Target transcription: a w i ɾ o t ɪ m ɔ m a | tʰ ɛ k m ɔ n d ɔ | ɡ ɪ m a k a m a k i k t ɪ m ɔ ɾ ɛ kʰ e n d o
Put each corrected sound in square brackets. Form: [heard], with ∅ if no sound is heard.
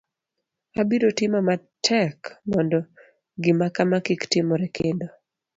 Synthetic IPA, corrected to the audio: a [b] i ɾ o t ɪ m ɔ m a | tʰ ɛ k m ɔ n d ɔ | ɡ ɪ m a k a m a k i k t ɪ m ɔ ɾ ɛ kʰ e n d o